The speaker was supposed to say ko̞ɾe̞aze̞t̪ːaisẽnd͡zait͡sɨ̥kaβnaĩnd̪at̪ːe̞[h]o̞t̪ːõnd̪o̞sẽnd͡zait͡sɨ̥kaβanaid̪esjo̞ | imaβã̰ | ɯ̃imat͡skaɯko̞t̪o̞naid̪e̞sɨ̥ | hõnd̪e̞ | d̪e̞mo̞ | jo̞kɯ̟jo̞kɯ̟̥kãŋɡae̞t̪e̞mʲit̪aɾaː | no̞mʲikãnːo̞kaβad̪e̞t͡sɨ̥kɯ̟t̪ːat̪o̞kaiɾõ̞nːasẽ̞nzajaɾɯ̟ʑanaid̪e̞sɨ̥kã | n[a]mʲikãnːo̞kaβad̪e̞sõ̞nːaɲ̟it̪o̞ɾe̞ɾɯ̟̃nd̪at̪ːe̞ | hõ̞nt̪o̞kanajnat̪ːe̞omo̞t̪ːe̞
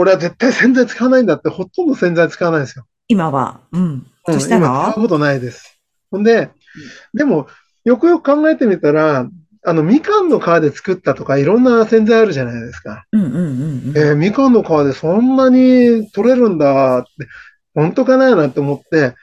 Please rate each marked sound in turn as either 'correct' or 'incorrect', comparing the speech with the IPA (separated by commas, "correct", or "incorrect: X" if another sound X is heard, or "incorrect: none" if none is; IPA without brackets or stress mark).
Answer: correct, incorrect: e